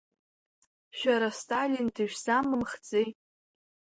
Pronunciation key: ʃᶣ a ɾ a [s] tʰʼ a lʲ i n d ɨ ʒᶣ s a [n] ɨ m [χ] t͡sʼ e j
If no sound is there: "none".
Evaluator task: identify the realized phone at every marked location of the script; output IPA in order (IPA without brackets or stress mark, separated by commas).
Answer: s, m, χ